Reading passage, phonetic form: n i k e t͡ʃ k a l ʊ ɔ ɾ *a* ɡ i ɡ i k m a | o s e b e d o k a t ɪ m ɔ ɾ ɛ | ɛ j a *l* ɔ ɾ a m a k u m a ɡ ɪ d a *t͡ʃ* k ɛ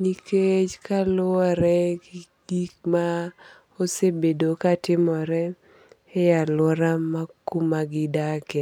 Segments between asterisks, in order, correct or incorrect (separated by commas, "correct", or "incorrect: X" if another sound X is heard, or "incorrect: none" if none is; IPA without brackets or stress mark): incorrect: ɛ, correct, incorrect: none